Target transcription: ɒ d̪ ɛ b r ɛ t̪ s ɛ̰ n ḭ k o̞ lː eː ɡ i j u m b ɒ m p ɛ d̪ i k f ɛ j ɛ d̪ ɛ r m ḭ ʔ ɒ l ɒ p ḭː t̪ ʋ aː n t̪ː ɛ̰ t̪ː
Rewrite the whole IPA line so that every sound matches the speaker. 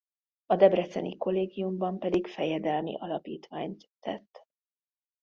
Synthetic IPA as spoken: ɒ d̪ ɛ b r ɛ t̪ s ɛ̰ n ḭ k o̞ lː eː ɡ i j u m b ɒ m p ɛ d̪ i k f ɛ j ɛ d̪ ɛ l m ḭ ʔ ɒ l ɒ p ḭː t̪ ʋ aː ɲ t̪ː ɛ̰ t̪ː